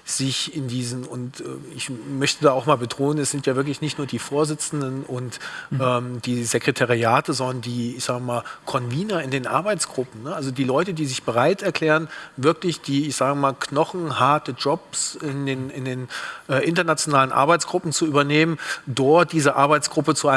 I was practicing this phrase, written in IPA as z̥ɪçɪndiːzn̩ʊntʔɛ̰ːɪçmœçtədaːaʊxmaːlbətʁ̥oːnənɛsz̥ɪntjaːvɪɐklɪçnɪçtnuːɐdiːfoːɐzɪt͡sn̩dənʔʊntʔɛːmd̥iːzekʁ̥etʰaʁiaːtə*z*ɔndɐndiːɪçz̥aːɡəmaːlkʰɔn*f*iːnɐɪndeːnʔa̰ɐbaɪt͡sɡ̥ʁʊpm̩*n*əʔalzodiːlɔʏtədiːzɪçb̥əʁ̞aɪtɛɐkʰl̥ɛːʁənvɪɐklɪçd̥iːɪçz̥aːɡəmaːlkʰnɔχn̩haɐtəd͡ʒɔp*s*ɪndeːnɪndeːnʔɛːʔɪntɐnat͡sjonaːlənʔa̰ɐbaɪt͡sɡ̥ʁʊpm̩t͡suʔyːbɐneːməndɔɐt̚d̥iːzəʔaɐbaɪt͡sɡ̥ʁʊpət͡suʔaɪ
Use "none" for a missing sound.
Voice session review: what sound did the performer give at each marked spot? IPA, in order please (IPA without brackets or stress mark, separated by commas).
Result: z, v, n, s